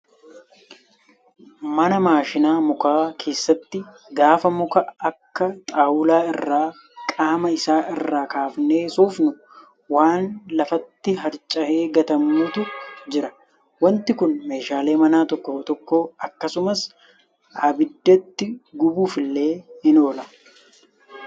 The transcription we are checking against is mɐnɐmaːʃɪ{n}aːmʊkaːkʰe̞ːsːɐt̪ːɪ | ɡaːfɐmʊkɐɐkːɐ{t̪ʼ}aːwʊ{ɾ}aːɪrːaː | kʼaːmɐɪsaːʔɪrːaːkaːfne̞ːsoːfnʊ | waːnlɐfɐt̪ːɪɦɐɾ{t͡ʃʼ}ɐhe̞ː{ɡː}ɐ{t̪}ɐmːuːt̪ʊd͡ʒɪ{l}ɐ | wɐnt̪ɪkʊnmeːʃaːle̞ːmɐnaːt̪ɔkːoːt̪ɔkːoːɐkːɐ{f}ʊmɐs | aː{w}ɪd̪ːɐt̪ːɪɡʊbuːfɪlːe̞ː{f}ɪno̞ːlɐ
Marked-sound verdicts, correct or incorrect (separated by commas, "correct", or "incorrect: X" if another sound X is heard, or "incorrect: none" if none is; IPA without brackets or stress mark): correct, correct, incorrect: l, correct, incorrect: ɡ, correct, incorrect: ɾ, incorrect: s, incorrect: b, incorrect: h